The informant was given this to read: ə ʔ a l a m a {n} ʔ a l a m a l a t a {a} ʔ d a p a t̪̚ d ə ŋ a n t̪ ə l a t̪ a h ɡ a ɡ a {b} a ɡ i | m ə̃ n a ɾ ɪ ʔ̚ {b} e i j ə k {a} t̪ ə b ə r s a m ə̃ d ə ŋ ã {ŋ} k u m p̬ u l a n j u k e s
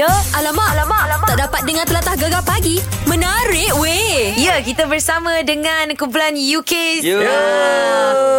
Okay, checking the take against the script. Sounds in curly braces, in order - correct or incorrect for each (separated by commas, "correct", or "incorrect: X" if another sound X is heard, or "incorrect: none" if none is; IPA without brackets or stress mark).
incorrect: none, correct, incorrect: p, incorrect: w, incorrect: i, incorrect: n